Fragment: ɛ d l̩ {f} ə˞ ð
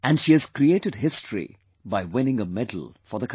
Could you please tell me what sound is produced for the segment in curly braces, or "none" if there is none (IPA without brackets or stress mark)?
f